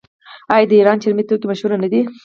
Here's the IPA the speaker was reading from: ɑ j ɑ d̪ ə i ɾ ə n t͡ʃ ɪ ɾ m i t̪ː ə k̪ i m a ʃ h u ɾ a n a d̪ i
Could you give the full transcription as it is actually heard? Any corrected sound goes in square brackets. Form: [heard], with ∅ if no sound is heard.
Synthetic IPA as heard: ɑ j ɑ d̪ ə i ɾ [ɑ] n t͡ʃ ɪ ɾ m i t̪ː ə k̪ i m a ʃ h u ɾ a n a d̪ i